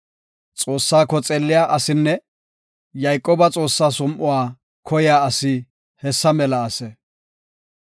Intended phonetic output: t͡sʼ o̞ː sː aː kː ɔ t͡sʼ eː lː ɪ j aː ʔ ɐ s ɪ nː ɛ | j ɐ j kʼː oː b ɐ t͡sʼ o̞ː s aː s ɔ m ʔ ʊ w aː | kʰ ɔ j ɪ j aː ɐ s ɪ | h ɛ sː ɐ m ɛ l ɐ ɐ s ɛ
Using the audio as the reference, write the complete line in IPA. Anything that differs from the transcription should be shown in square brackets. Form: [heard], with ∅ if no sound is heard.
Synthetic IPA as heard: t͡sʼ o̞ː sː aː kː ɔ t͡sʼ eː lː ɪ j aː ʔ ɐ s ɪ nː ɛ | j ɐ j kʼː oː b ɐ t͡sʼ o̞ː [sː] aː s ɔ m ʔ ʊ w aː | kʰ ɔ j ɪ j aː ɐ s ɪ | h ɛ sː ɐ m ɛ l ɐ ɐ s ɛ